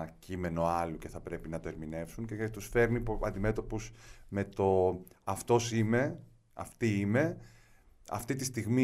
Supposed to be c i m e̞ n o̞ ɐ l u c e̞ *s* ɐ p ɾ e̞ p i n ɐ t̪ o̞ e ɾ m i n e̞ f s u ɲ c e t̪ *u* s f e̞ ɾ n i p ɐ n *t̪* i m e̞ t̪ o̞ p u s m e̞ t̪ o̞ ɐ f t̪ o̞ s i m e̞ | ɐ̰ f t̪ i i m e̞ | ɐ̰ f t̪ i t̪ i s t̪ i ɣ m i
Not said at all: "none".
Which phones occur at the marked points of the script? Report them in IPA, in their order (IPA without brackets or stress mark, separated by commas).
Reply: θ, u, d̪